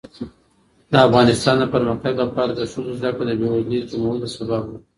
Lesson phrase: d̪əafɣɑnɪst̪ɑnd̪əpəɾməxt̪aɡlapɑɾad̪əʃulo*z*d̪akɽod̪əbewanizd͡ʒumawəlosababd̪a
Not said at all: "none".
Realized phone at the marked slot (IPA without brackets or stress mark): z